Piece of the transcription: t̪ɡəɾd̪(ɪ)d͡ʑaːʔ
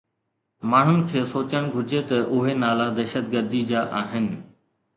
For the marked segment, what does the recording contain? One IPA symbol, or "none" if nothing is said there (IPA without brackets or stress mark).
i